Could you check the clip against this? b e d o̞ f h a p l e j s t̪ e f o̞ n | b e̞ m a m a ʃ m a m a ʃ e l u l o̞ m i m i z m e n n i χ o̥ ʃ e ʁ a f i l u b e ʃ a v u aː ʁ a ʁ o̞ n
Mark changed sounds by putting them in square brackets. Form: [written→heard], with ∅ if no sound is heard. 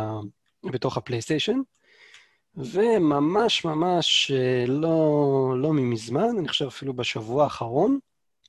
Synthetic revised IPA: b e [d→t] o̞ [f→χ] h a p l e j s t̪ e [f→ʃ] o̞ n | [b→v] e̞ m a m a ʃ m a m a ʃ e l [u→o] l o̞ m i m i z m [e→a] n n i χ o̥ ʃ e [ʁ→v] a f i l u b e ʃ a v u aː [ʁ→χ] a ʁ o̞ n